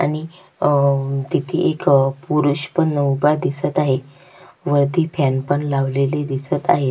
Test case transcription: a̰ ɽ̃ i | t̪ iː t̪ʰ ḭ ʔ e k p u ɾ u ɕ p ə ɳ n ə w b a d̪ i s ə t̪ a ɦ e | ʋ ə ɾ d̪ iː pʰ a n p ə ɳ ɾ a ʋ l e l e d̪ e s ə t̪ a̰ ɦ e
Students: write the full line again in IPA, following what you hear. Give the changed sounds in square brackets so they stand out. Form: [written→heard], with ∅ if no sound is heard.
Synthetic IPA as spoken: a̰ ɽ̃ i | t̪ [iː→i] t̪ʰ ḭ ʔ e k p u ɾ u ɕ p ə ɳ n ə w b a d̪ i s ə t̪ a ɦ e | ʋ ə ɾ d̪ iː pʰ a n p ə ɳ [ɾ→l] a ʋ l e l e d̪ [e→i] s ə t̪ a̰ ɦ e